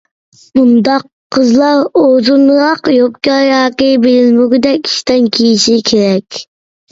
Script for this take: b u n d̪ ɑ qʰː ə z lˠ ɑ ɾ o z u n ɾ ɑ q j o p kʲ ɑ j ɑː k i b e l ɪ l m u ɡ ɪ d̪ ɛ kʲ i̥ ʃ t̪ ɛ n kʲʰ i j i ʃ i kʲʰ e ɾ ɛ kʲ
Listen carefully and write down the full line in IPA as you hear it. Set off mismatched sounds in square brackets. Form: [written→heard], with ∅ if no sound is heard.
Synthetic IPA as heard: b u n d̪ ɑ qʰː ə z lˠ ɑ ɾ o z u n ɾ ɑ q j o p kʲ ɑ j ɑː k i b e l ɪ l m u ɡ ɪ d̪ ɛ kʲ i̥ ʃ t̪ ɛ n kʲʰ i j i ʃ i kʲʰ e ɾ ɛ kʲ